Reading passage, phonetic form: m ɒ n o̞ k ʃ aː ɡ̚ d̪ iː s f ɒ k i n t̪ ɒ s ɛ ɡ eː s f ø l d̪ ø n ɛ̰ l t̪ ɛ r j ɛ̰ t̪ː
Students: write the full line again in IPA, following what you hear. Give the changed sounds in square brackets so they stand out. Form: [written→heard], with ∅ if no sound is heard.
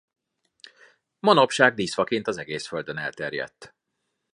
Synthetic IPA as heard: m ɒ n o̞ [k→p] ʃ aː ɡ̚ d̪ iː s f ɒ k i n t̪ ɒ [s→z] ɛ ɡ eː s f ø l d̪ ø n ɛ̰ l t̪ ɛ r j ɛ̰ t̪ː